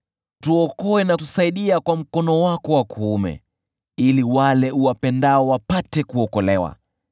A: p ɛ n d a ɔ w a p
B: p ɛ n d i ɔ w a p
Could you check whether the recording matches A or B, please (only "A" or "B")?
A